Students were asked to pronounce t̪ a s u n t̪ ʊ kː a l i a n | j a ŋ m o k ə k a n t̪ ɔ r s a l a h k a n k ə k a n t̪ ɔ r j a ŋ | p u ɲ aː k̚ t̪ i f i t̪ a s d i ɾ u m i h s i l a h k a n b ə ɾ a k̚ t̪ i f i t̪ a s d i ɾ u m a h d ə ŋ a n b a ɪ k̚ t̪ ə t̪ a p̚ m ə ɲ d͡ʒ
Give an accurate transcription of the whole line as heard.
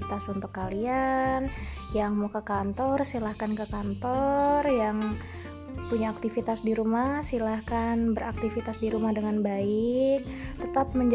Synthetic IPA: t̪ a s u n t̪ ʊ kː a l i a n | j a ŋ m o k ə k a n t̪ ɔ r s i l a h k a n k ə k a n t̪ ɔ r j a ŋ | p u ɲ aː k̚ t̪ i f i t̪ a s d i ɾ u m a h s i l a h k a n b ə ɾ a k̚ t̪ i f i t̪ a s d i ɾ u m a h d ə ŋ a n b a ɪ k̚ t̪ ə t̪ a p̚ m ə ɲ d͡ʒ